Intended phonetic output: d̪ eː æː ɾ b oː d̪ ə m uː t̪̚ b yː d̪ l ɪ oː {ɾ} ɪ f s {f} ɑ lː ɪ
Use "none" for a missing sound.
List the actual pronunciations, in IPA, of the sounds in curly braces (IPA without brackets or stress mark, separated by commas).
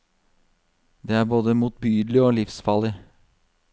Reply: l, f